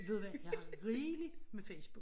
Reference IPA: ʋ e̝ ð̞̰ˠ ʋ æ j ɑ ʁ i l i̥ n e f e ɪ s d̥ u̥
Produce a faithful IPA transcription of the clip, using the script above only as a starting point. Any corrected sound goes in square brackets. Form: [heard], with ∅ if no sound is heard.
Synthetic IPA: ʋ e̝ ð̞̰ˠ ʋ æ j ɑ ʁ [iː] l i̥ [m] e f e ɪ s [b̥] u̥